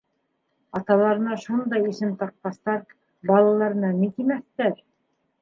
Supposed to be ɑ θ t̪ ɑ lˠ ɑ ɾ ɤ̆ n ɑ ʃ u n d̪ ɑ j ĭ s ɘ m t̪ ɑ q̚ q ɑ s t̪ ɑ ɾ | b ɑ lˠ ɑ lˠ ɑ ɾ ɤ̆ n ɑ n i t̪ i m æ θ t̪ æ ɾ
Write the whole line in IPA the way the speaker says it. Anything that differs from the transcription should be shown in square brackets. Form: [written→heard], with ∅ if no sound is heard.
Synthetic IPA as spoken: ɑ [θ→∅] t̪ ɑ lˠ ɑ ɾ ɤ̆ n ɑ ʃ u n d̪ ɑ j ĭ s ɘ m t̪ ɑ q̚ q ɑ s t̪ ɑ ɾ | b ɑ lˠ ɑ lˠ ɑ ɾ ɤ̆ n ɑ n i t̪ i m æ θ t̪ æ ɾ